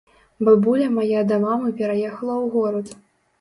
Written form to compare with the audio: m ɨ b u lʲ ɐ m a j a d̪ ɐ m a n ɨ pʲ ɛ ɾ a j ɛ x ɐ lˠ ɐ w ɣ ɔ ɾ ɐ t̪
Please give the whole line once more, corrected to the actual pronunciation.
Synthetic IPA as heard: b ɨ b u lʲ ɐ m a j a d̪ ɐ m a m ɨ pʲ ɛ ɾ a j ɛ x ɐ lˠ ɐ w ɣ ɔ ɾ ɐ t̪